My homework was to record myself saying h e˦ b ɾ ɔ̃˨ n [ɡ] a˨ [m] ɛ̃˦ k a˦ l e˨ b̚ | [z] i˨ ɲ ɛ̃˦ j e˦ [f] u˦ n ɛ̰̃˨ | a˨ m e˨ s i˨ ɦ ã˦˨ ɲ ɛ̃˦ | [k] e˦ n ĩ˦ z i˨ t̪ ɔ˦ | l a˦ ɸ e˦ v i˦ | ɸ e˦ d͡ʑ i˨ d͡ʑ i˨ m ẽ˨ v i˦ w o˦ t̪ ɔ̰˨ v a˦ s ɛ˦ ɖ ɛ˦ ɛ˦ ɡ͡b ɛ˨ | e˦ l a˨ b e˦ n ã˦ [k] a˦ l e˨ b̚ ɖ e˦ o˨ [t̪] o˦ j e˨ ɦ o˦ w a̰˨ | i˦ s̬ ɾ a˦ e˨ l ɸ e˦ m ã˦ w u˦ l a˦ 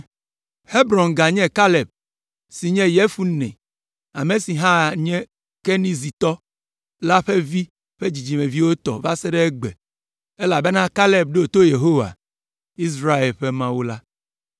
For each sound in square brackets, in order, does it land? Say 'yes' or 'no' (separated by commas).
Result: yes, no, no, yes, yes, yes, yes